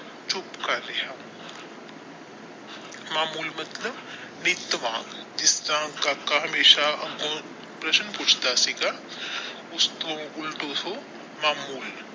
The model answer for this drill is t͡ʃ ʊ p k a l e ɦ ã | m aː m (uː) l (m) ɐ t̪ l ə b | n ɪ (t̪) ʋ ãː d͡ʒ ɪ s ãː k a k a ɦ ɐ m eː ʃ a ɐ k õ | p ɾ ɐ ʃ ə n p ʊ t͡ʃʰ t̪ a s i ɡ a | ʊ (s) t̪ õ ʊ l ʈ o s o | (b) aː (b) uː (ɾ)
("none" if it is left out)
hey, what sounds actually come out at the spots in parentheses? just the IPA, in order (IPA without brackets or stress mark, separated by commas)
uː, m, t̪, s, m, m, l